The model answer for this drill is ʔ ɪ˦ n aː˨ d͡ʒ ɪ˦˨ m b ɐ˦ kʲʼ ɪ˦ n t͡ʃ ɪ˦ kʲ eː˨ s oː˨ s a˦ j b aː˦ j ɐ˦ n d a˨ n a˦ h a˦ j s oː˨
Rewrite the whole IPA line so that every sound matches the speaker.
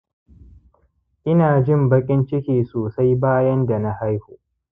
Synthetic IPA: ʔ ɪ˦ n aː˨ d͡ʒ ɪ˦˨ m b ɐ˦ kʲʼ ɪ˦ n t͡ʃ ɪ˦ kʲ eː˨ s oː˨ s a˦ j b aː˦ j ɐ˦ n d a˨ n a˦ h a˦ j h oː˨